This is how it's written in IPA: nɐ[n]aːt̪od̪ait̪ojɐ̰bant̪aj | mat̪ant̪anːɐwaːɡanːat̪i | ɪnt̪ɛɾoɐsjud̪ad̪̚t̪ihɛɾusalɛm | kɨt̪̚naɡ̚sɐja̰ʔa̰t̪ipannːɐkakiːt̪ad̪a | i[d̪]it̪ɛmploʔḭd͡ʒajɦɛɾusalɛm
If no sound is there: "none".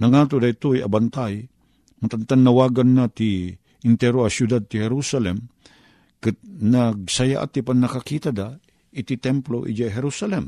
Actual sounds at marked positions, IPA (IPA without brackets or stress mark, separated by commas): ŋ, t̪